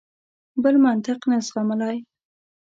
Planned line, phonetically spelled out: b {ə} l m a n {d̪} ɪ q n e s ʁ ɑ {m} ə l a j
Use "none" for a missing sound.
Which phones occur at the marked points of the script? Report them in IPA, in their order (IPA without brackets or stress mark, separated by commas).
ə, t̪, m